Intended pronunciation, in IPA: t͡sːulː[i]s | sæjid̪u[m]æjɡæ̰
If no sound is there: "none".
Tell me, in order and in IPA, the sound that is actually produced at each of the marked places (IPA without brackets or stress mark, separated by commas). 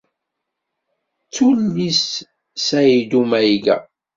i, m